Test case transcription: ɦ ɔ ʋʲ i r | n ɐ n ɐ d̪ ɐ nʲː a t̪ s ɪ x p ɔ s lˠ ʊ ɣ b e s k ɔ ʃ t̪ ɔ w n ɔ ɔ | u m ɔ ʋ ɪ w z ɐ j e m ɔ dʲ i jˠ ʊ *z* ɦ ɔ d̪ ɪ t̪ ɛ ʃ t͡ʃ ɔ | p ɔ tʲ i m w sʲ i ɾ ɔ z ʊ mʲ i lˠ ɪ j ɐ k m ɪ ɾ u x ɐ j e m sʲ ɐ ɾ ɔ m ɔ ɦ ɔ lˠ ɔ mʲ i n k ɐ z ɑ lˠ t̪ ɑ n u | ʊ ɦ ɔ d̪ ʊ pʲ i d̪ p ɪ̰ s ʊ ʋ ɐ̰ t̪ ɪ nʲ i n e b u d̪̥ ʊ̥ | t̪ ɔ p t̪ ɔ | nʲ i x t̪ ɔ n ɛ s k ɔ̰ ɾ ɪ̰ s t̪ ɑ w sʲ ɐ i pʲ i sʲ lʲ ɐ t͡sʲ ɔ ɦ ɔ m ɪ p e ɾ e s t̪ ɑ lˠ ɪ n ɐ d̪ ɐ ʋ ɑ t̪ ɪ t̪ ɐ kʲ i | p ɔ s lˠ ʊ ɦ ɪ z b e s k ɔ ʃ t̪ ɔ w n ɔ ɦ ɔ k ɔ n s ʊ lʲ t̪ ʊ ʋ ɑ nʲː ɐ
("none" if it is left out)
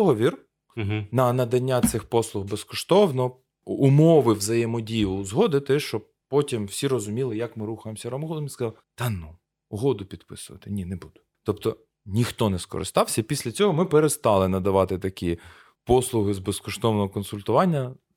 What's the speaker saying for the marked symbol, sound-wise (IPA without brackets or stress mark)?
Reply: z